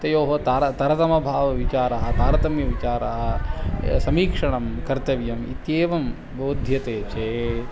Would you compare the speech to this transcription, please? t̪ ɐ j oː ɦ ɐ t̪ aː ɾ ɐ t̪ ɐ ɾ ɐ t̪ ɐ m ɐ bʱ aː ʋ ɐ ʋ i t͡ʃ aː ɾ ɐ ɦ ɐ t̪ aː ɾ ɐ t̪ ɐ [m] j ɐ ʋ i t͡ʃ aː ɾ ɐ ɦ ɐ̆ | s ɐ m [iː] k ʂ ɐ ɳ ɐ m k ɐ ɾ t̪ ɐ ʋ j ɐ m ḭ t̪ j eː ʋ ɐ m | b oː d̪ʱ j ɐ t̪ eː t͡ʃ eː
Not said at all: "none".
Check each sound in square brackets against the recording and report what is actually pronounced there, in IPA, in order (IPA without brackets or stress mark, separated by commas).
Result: m, iː